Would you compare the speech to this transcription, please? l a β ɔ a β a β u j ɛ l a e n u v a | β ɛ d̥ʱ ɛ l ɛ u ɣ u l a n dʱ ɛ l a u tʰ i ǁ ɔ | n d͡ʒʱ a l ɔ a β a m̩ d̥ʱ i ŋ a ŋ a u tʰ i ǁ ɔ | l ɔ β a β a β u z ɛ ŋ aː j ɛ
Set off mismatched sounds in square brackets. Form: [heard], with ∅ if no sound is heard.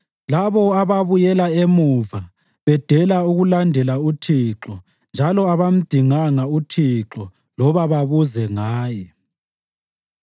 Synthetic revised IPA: l a β ɔ a β a β u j ɛ l a e [m] u v a | β ɛ d̥ʱ ɛ l [a] u ɣ u l a n dʱ ɛ l a u tʰ i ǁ ɔ | n d͡ʒʱ a l ɔ a β a m̩ d̥ʱ i ŋ a ŋ a u tʰ i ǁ ɔ | l ɔ β a β a β u z ɛ ŋ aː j ɛ